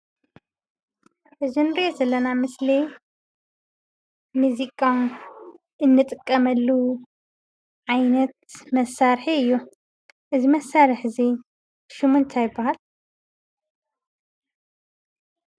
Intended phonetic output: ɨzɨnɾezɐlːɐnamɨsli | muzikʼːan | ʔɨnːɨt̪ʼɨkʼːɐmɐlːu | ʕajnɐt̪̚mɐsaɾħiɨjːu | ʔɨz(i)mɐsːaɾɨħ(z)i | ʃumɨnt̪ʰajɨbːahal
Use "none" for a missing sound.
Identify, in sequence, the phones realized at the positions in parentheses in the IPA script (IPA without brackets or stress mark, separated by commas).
i, z